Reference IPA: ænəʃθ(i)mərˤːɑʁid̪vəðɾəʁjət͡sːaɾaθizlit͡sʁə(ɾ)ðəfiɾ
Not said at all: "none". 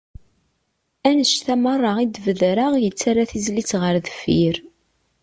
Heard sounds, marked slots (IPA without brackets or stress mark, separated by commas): æ, ɾ